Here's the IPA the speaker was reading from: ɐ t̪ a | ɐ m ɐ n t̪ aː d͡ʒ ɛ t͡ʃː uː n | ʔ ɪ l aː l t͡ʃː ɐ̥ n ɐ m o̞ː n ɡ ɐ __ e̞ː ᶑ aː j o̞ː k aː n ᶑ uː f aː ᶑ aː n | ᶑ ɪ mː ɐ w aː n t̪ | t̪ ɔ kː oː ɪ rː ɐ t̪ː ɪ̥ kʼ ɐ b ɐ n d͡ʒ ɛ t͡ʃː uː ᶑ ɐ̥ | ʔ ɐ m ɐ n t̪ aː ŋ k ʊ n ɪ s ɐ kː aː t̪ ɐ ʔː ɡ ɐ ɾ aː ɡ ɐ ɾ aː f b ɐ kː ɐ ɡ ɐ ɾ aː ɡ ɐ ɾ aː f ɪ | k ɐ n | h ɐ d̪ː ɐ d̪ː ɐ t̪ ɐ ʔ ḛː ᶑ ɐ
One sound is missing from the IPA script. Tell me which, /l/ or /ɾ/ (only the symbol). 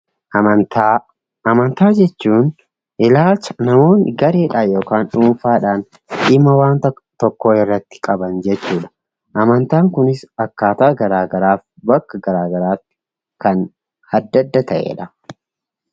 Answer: ɾ